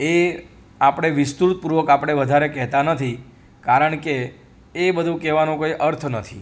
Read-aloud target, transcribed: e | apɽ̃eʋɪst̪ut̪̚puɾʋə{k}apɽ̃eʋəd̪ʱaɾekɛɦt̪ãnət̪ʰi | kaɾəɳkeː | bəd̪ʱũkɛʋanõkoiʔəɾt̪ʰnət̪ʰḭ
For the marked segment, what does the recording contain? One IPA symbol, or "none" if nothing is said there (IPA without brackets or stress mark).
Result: k